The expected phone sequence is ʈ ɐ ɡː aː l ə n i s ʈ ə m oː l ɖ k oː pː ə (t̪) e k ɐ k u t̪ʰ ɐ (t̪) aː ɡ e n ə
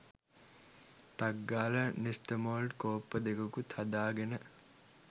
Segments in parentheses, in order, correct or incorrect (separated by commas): incorrect, incorrect